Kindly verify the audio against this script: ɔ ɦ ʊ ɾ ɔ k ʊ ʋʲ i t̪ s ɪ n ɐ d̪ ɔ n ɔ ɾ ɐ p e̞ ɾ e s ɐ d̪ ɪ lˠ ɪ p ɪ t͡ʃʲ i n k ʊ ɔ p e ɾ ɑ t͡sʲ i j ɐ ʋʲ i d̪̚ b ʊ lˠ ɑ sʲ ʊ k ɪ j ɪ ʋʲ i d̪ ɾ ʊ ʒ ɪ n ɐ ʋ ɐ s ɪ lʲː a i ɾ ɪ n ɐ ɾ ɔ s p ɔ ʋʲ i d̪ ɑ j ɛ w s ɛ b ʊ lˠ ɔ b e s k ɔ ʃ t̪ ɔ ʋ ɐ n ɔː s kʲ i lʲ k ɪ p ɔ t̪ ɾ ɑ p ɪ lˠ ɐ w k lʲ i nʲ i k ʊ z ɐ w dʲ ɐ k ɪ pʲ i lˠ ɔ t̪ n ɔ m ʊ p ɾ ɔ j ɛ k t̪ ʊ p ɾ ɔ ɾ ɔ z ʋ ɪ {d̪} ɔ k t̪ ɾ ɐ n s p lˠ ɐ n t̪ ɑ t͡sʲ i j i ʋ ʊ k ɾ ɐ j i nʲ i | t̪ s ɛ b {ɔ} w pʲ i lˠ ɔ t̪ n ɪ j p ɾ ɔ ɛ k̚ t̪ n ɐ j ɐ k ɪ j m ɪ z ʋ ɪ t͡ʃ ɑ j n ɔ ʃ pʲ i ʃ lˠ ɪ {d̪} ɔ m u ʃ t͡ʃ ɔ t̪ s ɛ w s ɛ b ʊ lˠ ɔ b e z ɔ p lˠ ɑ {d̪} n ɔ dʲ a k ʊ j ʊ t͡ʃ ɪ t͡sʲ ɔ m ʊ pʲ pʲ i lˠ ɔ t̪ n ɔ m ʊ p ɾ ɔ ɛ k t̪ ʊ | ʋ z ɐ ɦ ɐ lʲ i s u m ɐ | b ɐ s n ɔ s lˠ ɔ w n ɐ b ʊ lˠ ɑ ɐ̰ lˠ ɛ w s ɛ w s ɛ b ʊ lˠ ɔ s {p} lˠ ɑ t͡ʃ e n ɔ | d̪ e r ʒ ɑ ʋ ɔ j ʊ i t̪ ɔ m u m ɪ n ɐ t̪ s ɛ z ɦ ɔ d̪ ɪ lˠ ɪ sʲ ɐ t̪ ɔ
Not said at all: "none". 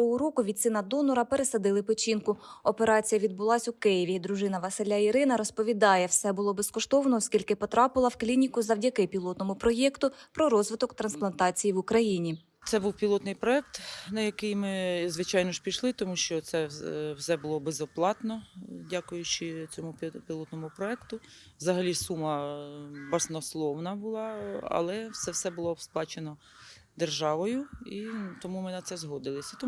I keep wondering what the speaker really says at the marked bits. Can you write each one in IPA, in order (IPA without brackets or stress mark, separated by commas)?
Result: t̪, u, t̪, t̪, p